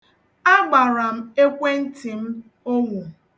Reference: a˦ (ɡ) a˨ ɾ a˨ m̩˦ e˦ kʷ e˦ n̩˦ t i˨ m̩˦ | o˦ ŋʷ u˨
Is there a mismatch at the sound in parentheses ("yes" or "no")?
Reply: yes